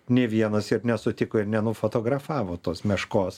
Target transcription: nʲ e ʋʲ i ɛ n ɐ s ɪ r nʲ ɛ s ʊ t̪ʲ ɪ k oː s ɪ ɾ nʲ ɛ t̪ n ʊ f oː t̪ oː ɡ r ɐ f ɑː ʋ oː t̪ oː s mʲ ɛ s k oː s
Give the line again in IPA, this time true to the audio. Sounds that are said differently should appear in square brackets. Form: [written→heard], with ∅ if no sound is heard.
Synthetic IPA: nʲ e ʋʲ i ɛ n ɐ s ɪ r nʲ ɛ s ʊ t̪ʲ ɪ k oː [s→∅] ɪ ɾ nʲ ɛ [t̪→∅] n ʊ f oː t̪ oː ɡ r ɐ f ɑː ʋ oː t̪ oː s mʲ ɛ [s→ʃ] k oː s

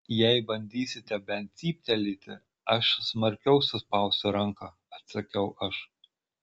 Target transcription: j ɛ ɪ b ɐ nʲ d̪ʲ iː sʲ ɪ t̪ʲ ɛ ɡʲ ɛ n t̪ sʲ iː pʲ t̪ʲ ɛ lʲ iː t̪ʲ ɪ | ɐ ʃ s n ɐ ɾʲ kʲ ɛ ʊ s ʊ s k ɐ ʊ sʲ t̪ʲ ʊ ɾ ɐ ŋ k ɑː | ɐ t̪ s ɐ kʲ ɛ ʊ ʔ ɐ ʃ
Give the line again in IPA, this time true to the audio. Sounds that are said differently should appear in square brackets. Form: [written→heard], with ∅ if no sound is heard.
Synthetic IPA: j ɛ ɪ b ɐ nʲ d̪ʲ iː sʲ ɪ t̪ʲ ɛ [ɡʲ→bʲ] ɛ n t̪ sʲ iː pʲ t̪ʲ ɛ lʲ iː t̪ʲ ɪ | ɐ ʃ s [n→m] ɐ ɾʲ kʲ ɛ ʊ s ʊ s [k→p] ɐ ʊ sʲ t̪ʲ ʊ ɾ ɐ ŋ k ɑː | ɐ t̪ s ɐ kʲ ɛ ʊ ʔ ɐ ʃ

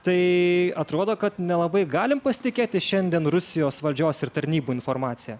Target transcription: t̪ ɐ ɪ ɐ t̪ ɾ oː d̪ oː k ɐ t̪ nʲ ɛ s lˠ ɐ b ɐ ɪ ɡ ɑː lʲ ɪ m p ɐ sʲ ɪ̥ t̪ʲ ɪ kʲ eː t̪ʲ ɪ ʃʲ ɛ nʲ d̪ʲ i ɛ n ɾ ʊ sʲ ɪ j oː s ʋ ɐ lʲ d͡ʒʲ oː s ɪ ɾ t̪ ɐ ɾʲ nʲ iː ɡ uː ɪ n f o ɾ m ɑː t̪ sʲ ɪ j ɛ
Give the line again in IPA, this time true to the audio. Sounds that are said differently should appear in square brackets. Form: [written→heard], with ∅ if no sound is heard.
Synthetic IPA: t̪ ɐ ɪ ɐ t̪ ɾ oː d̪ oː k ɐ t̪ nʲ ɛ [s→∅] lˠ ɐ b ɐ ɪ ɡ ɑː lʲ ɪ m p ɐ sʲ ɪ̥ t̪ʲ ɪ kʲ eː t̪ʲ ɪ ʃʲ ɛ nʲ d̪ʲ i ɛ n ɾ ʊ sʲ ɪ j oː s ʋ ɐ lʲ d͡ʒʲ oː s ɪ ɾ t̪ ɐ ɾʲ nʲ iː [ɡ→b] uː ɪ n f o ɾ m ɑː t̪ sʲ ɪ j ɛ

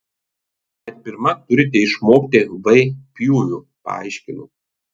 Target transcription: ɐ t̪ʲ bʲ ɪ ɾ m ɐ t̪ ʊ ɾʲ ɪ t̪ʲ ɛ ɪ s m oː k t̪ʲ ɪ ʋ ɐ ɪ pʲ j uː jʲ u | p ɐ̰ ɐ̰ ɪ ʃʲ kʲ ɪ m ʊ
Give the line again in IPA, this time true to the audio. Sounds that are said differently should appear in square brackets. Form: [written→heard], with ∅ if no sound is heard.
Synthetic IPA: ɐ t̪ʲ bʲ ɪ ɾ m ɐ t̪ ʊ ɾʲ ɪ t̪ʲ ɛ ɪ [s→ʃ] m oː k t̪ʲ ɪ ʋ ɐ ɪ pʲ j uː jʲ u | p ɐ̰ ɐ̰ ɪ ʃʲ kʲ ɪ [m→n] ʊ

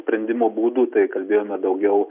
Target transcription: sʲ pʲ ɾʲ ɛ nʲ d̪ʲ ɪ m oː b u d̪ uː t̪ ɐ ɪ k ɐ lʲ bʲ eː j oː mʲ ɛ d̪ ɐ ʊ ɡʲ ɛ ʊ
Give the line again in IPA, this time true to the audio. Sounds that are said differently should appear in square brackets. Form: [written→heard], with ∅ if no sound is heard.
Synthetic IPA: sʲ pʲ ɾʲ ɛ nʲ d̪ʲ ɪ m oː b [u→uː] d̪ uː t̪ ɐ ɪ k ɐ lʲ bʲ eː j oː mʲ ɛ d̪ ɐ ʊ ɡʲ ɛ ʊ

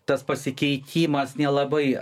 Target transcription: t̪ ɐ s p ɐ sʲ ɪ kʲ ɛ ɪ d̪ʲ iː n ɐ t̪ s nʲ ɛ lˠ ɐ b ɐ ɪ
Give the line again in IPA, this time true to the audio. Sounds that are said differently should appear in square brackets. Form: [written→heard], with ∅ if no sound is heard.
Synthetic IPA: t̪ ɐ s p ɐ sʲ ɪ kʲ ɛ ɪ [d̪ʲ→t̪ʲ] iː [n→m] ɐ [t̪→∅] s nʲ ɛ lˠ ɐ b ɐ ɪ

